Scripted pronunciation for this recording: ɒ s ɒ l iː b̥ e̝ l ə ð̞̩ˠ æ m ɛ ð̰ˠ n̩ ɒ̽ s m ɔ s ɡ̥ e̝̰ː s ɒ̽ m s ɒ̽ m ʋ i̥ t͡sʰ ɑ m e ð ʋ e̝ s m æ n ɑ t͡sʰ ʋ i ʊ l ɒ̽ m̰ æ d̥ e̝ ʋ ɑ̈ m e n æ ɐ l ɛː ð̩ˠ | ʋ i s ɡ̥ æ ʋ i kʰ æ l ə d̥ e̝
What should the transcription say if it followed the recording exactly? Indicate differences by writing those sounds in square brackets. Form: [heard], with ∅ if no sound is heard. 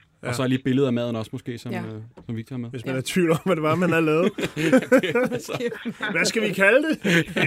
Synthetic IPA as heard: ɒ s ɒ l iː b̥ e̝ l ə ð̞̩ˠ æ m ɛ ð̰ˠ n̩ ɒ̽ s m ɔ s ɡ̥ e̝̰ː s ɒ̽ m s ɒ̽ m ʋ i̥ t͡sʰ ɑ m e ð ʋ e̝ s m æ n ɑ t͡sʰ ʋ i ʊ l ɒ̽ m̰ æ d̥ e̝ ʋ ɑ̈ m [æ] n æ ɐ l ɛː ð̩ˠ | ʋ [æ] s ɡ̥ æ ʋ i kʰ æ l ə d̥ e̝